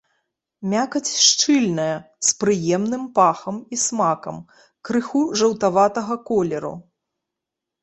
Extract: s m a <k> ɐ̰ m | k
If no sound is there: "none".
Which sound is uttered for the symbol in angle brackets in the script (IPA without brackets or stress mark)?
k